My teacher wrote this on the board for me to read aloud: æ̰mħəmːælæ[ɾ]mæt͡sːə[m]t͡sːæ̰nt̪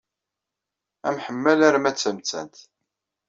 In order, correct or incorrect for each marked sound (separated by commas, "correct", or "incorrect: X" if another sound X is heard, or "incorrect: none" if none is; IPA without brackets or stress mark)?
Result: correct, correct